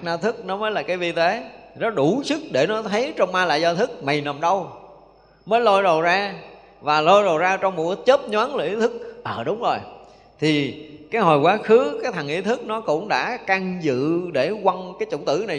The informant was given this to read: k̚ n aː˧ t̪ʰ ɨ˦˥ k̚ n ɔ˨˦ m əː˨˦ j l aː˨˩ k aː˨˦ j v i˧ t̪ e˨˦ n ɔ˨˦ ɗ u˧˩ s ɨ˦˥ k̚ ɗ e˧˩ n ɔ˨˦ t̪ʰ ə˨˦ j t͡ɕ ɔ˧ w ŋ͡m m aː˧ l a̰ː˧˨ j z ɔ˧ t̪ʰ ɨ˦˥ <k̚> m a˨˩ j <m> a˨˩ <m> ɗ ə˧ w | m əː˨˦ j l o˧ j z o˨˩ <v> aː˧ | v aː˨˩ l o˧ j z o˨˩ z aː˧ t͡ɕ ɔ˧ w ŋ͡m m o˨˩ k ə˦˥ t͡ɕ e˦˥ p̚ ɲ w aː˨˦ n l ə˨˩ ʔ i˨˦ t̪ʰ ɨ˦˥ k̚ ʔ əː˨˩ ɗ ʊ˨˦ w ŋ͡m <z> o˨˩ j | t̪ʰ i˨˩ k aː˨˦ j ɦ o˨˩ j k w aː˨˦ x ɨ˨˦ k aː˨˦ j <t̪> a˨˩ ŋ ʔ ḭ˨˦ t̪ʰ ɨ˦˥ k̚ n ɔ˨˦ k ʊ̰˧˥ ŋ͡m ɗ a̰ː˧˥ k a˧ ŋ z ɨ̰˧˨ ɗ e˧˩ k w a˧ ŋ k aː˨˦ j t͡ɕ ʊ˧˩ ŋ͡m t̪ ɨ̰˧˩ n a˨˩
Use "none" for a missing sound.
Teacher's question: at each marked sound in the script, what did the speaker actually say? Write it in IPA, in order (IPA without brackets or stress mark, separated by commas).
k̚, n, m, z, z, t̪ʰ